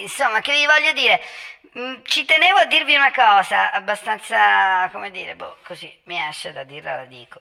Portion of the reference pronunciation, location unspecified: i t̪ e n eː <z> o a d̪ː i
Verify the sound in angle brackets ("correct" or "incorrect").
incorrect